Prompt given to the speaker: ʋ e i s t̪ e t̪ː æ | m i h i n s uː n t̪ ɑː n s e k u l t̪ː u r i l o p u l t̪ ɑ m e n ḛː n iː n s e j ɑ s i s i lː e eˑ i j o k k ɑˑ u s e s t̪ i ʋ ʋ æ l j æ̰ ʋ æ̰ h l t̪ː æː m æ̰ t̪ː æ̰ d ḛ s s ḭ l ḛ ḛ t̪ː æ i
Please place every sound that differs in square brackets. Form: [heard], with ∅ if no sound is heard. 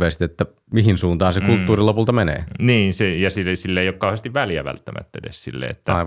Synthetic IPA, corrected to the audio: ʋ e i s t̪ e t̪ː æ | m i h i n s uː n t̪ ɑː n s e k u l t̪ː [uː] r i l o p u l t̪ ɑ m e n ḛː n iː n s e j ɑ s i s i lː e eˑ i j o k k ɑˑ u [h] e s t̪ i ʋ ʋ æ l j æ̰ ʋ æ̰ [∅] l t̪ː [æ] m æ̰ t̪ː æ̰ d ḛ s s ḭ [lː] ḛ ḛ t̪ː æ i